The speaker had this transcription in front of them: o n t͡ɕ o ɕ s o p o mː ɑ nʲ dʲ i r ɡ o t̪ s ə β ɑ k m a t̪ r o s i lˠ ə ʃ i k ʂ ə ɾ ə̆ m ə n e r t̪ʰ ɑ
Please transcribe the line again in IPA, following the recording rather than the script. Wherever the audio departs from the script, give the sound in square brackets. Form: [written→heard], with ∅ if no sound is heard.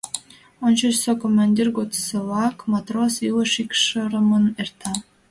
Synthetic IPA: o n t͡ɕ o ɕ s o [p→k] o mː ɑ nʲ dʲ i r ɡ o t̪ s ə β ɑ k m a t̪ r o s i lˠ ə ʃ i k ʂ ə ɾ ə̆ m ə n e r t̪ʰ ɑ